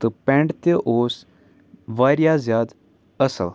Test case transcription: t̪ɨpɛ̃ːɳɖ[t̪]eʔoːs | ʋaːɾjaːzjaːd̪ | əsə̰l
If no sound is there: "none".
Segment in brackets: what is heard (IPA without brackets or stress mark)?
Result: t̪